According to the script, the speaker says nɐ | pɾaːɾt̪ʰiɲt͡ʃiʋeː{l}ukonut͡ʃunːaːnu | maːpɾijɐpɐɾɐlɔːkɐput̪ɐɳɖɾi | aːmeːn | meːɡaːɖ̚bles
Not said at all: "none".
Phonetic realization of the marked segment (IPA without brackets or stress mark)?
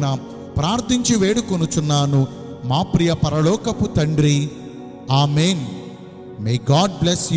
ɽ